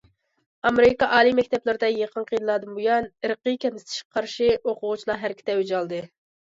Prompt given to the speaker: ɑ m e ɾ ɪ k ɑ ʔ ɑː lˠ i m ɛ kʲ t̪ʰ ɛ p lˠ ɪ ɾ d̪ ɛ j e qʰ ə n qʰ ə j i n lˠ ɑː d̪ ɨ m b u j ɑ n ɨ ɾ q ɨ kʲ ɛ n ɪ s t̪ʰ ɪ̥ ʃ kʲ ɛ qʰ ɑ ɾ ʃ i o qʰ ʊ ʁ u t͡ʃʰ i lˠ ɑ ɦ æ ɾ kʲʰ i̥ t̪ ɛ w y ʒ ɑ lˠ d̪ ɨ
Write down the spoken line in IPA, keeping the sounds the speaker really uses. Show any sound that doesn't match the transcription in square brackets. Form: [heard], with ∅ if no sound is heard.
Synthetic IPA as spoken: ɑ m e ɾ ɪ k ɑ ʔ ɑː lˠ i m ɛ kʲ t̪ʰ ɛ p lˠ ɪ ɾ d̪ ɛ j e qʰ ə n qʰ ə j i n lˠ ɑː d̪ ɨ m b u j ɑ n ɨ ɾ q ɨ kʲ ɛ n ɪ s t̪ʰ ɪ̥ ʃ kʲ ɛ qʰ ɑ ɾ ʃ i o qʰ ʊ ʁ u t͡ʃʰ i lˠ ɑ ɦ æ ɾ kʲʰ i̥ t̪ ɛ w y [d͡ʒ] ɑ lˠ d̪ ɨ